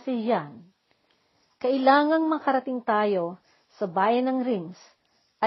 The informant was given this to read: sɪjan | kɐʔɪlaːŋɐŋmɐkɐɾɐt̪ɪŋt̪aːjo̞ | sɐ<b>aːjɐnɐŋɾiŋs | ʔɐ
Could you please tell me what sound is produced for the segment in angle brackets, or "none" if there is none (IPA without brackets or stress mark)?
b